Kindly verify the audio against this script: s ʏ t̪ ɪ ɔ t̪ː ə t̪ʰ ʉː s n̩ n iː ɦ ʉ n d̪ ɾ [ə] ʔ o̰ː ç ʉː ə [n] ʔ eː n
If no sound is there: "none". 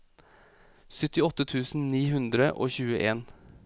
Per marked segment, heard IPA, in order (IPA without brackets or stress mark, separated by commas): ə, none